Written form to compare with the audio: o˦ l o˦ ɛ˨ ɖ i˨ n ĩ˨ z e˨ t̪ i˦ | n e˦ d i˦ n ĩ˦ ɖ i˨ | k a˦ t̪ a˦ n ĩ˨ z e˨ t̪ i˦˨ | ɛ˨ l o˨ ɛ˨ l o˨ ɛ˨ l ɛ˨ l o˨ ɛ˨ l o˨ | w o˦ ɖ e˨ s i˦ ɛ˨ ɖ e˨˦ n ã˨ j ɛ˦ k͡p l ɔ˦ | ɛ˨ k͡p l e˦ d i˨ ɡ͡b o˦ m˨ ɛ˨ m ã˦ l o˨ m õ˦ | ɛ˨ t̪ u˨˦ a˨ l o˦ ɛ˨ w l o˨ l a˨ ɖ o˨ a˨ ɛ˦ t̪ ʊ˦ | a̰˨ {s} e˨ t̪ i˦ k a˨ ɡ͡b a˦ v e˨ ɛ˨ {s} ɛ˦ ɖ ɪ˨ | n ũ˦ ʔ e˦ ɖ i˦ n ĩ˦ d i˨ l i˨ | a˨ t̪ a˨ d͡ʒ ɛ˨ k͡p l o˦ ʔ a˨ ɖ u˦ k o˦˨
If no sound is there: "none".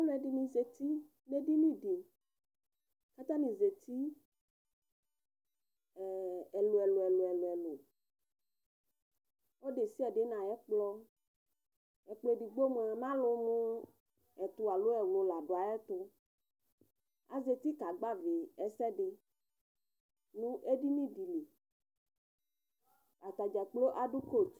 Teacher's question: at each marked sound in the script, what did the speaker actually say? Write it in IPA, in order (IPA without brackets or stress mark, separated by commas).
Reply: z, s